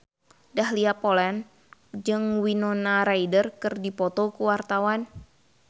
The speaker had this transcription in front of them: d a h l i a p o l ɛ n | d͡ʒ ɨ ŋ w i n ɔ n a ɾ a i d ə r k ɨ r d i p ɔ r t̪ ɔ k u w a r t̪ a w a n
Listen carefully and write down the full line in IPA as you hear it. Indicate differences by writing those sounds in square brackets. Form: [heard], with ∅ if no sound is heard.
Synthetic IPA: d a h l i a p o l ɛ n | d͡ʒ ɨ ŋ w i n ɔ n a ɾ a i d ə r k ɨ r d i p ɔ [∅] t̪ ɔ k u w a r t̪ a w a n